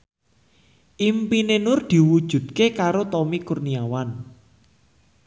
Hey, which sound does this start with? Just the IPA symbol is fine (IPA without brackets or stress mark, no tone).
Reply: ʔ